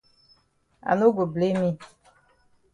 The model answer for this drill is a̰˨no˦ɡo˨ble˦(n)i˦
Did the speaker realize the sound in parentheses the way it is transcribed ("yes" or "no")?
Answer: no